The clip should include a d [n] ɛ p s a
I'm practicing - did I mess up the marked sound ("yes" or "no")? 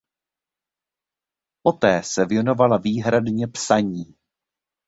yes